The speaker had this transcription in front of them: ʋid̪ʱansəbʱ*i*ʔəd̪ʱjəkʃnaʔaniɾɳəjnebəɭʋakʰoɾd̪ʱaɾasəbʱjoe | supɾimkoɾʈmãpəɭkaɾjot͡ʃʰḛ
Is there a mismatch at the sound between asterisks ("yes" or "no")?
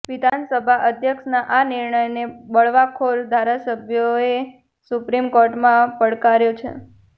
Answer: yes